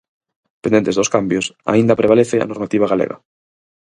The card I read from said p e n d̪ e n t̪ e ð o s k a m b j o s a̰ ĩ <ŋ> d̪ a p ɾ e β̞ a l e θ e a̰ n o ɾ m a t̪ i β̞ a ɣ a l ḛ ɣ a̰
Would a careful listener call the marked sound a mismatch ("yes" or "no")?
yes